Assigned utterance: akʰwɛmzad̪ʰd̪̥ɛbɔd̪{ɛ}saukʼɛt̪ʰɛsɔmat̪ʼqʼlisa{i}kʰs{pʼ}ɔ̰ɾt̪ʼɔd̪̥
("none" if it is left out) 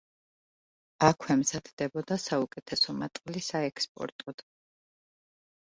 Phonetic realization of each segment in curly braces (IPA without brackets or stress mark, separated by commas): a, ɛ, pʼ